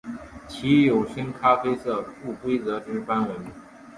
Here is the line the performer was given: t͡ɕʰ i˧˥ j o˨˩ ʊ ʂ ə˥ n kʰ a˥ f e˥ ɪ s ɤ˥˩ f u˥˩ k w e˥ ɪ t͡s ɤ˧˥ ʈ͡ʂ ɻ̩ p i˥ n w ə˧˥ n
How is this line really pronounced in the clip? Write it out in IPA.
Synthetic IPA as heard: t͡ɕʰ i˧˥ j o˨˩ ʊ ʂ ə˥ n kʰ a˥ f e˥ ɪ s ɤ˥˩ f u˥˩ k w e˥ ɪ t͡s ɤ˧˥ ʈ͡ʂ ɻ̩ p a˥ n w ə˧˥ n